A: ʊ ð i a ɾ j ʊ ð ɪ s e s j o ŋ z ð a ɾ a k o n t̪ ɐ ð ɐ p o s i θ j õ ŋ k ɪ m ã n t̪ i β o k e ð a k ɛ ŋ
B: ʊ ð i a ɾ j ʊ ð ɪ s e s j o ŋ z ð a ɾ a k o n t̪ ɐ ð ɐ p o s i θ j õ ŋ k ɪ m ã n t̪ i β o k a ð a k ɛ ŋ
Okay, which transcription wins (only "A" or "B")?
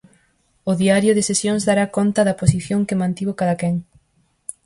B